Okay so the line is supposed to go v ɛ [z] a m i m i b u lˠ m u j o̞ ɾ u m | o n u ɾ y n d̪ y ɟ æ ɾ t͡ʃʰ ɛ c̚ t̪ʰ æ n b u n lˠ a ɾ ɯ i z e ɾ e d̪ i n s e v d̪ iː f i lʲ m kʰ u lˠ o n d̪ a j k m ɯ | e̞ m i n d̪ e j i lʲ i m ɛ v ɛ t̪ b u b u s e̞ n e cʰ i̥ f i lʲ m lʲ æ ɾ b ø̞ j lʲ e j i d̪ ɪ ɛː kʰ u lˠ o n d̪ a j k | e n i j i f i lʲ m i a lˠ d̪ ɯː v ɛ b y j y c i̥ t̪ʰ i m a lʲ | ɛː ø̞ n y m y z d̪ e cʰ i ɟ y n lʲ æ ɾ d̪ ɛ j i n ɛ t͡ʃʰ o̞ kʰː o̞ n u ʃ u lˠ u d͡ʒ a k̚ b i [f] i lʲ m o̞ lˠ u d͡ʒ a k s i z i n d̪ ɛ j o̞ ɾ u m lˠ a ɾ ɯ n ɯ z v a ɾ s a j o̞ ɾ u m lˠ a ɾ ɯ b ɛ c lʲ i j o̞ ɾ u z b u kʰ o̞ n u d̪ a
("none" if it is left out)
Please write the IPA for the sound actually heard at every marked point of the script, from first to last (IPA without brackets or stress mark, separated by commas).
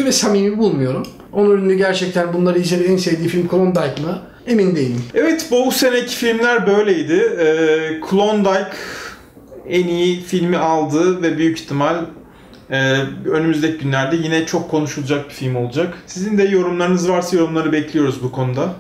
s, f